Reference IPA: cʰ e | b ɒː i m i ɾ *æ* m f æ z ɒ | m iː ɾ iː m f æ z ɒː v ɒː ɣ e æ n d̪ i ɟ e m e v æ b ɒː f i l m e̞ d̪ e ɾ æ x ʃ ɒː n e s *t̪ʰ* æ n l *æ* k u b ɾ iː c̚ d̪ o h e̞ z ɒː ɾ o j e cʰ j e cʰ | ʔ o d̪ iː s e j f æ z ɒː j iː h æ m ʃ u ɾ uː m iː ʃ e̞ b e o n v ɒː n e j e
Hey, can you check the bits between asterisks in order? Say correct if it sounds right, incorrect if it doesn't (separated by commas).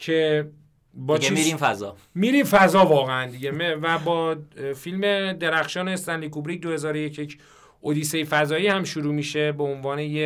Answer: incorrect, incorrect, incorrect